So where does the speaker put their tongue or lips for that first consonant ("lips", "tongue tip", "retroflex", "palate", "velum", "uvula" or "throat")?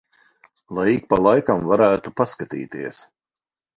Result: tongue tip